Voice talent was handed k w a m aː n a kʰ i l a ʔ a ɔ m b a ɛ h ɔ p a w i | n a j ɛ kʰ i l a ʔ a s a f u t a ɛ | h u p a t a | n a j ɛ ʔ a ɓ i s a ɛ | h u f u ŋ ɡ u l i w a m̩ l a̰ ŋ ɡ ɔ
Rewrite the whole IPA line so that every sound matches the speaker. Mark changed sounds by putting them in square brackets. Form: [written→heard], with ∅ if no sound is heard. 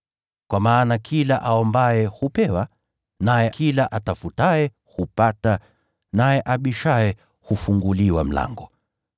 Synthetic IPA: k w a m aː n a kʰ i l a ʔ a ɔ m b a ɛ h [ɔ→u] p [a→ɛ] w [i→a] | n a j ɛ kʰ i l a ʔ a [s→t] a f u t a ɛ | h u p a t a | n a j ɛ ʔ a ɓ i [s→ʃ] a ɛ | h u f u ŋ ɡ u l i w a m̩ l a̰ ŋ ɡ ɔ